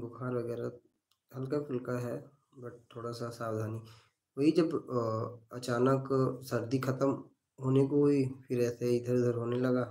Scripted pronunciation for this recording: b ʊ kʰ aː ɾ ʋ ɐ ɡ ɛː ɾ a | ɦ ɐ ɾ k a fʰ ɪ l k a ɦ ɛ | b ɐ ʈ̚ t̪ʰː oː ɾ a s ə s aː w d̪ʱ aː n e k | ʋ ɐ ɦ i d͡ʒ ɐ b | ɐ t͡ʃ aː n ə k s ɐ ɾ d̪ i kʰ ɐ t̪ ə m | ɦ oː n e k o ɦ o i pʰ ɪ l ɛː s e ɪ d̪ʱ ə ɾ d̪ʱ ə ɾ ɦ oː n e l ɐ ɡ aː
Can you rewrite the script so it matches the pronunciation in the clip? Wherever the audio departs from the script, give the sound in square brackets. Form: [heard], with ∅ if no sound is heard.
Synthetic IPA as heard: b ʊ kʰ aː ɾ ʋ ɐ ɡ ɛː ɾ a | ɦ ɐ [l] k a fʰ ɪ l k a ɦ ɛ | b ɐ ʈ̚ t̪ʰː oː [ɽ] a s [a] s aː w d̪ʱ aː n [i] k | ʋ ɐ ɦ i d͡ʒ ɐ b | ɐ t͡ʃ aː n ə k s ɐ ɾ d̪ i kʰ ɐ t̪ ə m | ɦ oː n e k o ɦ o i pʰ ɪ [ɾ] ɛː s e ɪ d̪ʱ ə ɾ d̪ʱ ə ɾ ɦ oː n e l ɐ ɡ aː

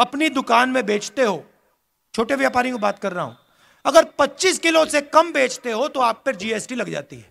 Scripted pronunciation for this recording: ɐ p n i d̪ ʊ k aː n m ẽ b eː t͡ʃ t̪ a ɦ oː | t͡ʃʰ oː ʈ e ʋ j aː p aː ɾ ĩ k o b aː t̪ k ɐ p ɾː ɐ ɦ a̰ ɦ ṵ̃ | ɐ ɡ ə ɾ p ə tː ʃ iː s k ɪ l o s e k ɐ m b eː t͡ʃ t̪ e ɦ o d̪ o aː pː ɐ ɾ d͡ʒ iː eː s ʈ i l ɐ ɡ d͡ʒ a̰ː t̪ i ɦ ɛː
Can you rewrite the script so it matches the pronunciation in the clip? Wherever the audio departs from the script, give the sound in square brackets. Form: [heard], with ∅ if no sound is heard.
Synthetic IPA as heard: ɐ p n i d̪ ʊ k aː n m ẽ b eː t͡ʃ t̪ [e] ɦ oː | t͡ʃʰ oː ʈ e ʋ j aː p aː ɾ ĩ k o b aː t̪ k ɐ [∅] ɾː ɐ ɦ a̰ ɦ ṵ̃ | ɐ ɡ ə ɾ p [ɐ] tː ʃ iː s k ɪ l o s e k ɐ m b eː t͡ʃ t̪ e ɦ o [t̪] o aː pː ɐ ɾ d͡ʒ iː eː s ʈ i l ɐ ɡ d͡ʒ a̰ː t̪ i ɦ ɛː

